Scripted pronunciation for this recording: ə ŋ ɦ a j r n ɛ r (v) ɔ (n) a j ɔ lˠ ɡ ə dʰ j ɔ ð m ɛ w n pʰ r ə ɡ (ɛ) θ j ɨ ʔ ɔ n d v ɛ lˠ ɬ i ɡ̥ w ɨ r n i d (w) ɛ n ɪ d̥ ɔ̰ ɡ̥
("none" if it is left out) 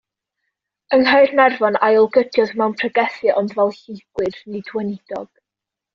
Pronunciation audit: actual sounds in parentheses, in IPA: v, n, ɛ, w

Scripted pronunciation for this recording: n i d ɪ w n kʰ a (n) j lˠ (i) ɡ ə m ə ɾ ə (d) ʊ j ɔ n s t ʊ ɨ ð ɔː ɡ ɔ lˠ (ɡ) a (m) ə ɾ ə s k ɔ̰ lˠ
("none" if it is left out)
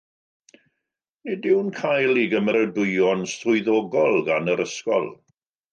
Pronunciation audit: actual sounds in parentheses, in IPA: none, i, d, ɡ, n

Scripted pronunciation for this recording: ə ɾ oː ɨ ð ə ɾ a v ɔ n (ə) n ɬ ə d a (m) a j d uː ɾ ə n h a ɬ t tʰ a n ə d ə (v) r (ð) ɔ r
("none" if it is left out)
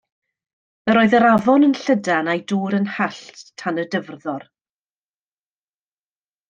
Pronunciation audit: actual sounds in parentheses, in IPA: ə, n, v, ð

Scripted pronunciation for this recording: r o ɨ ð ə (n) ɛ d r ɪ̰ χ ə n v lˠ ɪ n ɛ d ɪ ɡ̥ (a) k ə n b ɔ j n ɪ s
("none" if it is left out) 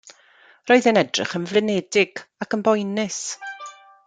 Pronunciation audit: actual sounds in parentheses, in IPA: n, a

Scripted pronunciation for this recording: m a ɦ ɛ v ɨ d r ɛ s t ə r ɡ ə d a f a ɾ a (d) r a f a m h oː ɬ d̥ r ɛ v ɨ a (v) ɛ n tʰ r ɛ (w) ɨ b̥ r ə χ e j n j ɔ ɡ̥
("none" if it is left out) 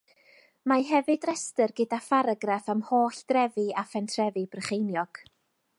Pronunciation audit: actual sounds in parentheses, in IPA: ɡ, f, v

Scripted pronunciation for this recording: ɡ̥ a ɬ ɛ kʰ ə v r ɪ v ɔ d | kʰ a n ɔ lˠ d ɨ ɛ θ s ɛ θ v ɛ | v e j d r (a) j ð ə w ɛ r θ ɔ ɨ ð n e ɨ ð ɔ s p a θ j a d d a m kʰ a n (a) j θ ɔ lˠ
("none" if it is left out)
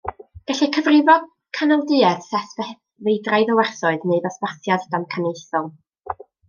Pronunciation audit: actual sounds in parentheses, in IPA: a, e

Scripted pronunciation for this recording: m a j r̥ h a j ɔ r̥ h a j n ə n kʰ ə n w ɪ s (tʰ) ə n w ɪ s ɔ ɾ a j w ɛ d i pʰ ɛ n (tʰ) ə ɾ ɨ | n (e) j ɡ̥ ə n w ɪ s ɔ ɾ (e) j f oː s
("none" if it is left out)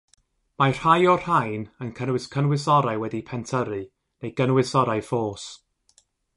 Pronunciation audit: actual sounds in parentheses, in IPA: kʰ, tʰ, e, a

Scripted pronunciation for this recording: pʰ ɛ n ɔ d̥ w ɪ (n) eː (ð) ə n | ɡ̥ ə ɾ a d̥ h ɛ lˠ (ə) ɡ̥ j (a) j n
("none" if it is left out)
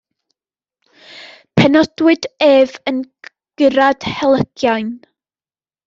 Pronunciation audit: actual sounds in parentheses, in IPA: d, v, ə, a

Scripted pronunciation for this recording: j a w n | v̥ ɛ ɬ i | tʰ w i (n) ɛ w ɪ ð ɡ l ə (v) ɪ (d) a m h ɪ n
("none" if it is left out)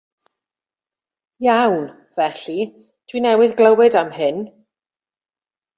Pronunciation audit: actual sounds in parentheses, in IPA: n, w, d

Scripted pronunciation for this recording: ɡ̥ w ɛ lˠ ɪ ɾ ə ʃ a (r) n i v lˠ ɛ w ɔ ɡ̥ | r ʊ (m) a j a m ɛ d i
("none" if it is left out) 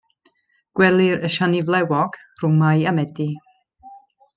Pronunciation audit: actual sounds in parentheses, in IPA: none, m

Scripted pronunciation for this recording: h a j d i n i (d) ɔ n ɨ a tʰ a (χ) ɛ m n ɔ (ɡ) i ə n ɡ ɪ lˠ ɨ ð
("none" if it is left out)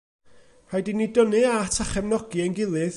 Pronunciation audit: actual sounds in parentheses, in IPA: d, χ, ɡ

